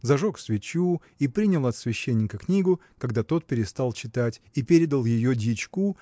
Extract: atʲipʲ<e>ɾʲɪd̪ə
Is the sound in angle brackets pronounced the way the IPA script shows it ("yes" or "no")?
yes